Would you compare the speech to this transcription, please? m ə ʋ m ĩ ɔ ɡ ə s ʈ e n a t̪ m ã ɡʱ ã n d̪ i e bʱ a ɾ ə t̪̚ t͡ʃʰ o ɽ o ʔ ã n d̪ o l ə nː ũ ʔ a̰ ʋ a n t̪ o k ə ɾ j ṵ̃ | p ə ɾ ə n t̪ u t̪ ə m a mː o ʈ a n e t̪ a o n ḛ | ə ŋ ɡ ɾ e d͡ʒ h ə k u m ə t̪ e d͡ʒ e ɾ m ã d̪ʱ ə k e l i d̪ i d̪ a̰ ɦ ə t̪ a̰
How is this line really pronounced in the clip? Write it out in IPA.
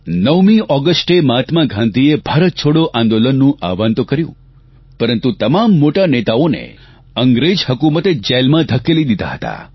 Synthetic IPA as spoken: n ə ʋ m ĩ ɔ ɡ ə s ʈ e m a t̪ m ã ɡʱ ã n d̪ i e bʱ a ɾ ə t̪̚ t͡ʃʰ o ɽ o ʔ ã n d̪ o l ə nː ũ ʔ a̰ ʋ a n t̪ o k ə ɾ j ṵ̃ | p ə ɾ ə n t̪ u t̪ ə m a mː o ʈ a n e t̪ a o n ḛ | ə ŋ ɡ ɾ e d͡ʒ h ə k u m ə t̪ e d͡ʒ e l m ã d̪ʱ ə k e l i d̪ i d̪ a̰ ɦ ə t̪ a̰